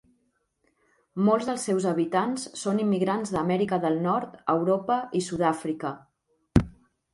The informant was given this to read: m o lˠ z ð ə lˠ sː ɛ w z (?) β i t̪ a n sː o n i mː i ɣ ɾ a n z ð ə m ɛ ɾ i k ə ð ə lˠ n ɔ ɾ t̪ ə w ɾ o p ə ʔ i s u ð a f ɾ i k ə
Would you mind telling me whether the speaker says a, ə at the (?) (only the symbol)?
ə